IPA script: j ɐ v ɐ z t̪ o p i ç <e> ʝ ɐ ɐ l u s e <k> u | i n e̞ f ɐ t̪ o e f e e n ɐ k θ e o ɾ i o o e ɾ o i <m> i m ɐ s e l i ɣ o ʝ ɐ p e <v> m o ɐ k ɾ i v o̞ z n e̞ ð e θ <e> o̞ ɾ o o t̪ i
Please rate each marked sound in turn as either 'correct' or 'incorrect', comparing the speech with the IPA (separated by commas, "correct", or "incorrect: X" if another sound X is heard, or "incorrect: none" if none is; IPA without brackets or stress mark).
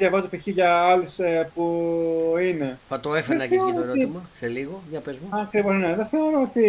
incorrect: i, incorrect: p, incorrect: none, incorrect: z, correct